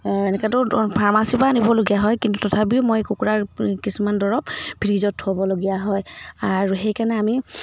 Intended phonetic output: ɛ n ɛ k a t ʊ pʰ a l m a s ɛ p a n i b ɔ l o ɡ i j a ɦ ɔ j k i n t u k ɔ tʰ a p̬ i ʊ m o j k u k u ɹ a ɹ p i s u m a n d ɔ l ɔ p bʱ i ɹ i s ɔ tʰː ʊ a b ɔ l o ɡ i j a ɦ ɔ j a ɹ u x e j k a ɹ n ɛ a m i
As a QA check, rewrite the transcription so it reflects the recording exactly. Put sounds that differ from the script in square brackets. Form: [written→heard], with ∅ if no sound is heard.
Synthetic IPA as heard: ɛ n ɛ k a t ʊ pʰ a [l→ɹ] m a s [ɛ→i] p a n i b ɔ l o ɡ i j a ɦ ɔ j k i n t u [k→t] ɔ tʰ a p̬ i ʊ m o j k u k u ɹ a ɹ [p→k] i s u m a n d ɔ [l→ɹ] ɔ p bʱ i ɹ i [s→z] ɔ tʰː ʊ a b ɔ l o ɡ i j a ɦ ɔ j a ɹ u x e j k a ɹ n ɛ a m i

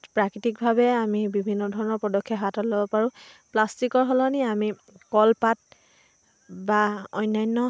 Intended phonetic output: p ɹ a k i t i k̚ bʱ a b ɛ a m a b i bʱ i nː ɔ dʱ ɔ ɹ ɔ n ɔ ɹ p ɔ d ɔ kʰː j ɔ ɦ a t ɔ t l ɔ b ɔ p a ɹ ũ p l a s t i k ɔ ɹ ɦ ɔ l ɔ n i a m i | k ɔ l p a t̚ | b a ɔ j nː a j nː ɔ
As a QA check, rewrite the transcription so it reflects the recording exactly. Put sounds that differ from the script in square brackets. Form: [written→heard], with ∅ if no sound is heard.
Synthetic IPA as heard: p ɹ a k i t i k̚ bʱ a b ɛ a m [a→i] b i bʱ i nː ɔ dʱ ɔ ɹ ɔ n ɔ ɹ p ɔ d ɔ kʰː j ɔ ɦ a t ɔ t l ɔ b ɔ p a ɹ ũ p l a s t i k ɔ ɹ ɦ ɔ l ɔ n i a m i | k ɔ l p a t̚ | b a ɔ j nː a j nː ɔ

